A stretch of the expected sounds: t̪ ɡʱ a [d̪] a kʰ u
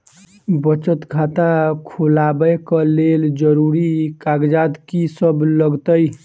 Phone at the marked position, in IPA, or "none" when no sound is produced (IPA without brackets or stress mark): t̪